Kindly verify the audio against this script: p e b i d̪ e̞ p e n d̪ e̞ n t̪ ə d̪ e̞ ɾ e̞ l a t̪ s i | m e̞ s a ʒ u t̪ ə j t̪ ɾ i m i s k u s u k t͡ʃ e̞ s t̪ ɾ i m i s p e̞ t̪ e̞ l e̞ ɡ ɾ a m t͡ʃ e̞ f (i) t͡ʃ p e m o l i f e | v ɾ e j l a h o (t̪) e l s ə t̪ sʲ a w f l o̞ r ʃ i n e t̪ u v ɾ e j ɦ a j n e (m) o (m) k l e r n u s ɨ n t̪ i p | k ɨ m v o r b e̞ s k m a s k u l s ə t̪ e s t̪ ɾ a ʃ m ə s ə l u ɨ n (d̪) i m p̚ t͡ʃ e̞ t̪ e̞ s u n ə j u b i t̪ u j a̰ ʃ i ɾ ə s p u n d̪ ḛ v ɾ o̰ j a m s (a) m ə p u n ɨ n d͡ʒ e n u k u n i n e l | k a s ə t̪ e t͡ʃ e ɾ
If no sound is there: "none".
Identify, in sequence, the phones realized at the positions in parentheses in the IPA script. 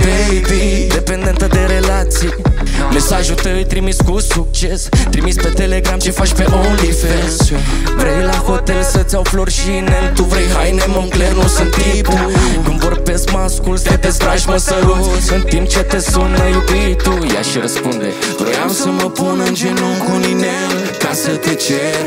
a, t̪, m, ŋ, t̪, ə

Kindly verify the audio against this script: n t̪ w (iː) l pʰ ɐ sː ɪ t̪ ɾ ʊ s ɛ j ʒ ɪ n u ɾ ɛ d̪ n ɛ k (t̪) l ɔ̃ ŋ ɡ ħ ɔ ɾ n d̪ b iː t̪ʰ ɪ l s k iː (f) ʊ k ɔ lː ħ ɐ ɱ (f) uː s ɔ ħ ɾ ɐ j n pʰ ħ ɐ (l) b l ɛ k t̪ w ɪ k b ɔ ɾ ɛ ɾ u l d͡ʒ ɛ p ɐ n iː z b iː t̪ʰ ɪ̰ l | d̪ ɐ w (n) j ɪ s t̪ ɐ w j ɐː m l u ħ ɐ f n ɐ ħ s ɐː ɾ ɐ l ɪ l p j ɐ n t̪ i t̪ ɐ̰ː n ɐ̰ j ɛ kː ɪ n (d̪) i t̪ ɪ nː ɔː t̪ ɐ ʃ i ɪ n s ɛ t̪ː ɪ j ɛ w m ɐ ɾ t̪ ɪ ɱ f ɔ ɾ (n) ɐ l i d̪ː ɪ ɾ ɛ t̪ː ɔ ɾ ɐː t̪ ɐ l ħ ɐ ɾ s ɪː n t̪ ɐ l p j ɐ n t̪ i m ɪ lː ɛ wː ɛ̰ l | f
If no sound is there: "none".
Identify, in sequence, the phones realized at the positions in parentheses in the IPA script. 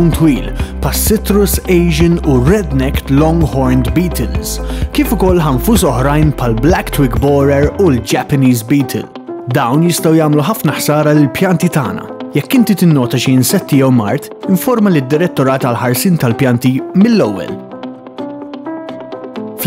iː, t̪, f, f, l, n, t̪, m

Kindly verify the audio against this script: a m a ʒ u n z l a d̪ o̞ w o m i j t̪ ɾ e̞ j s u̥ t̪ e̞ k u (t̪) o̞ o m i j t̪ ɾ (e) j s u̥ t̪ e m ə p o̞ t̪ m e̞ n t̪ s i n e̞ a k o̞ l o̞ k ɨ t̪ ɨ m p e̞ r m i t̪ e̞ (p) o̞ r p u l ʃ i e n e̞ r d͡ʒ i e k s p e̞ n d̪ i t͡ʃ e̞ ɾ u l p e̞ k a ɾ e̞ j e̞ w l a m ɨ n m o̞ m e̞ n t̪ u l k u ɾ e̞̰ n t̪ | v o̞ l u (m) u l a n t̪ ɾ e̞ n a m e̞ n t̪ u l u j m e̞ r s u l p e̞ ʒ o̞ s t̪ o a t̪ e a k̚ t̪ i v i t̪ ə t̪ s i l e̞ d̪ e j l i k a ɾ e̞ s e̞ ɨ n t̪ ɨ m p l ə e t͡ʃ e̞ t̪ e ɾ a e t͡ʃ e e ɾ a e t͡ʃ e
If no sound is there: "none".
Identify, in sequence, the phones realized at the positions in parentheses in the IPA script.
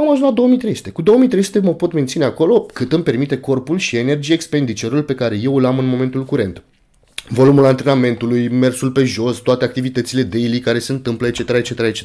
d̪, e, k, m

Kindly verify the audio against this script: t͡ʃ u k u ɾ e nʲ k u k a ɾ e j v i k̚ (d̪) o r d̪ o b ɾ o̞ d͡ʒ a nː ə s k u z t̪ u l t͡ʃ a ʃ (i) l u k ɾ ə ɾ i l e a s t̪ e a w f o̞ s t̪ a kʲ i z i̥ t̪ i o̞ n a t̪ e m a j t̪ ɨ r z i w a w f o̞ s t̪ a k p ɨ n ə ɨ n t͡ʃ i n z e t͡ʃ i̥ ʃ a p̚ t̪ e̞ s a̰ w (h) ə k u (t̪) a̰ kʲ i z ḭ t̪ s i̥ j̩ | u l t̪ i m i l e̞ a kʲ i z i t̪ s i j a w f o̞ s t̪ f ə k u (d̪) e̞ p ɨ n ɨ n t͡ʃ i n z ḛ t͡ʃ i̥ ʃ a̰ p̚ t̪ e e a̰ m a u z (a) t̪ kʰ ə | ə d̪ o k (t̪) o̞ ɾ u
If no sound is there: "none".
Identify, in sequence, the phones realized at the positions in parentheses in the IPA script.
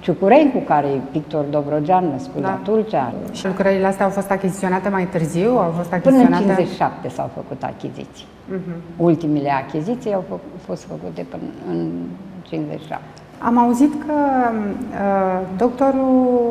t̪, i, f, t̪, t̪, i, t̪

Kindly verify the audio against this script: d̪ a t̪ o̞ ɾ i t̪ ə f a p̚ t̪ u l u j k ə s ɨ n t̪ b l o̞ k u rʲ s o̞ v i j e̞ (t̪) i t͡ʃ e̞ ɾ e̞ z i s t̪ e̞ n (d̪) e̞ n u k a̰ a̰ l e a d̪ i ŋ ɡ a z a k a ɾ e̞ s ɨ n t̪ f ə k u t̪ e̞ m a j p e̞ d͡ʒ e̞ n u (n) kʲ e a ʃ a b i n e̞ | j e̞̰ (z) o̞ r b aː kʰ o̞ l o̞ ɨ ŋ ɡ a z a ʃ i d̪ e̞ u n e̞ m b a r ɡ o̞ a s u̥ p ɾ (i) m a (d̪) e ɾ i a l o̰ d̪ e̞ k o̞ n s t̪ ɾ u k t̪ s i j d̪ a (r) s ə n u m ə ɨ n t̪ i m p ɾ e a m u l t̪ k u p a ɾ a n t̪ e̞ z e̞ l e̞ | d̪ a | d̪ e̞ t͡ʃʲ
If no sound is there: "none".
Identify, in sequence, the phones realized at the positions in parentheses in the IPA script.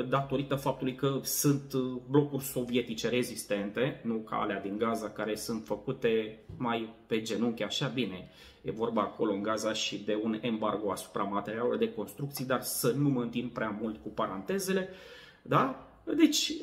t̪, t̪, ŋ, v, a, t̪, r

